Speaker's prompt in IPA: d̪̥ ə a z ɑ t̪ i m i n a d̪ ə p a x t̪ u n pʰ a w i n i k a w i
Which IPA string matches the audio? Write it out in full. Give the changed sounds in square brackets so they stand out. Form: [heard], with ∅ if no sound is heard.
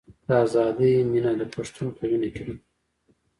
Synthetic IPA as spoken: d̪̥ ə a z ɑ [d̪] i m i n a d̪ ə p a [ʂ] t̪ u n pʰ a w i n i k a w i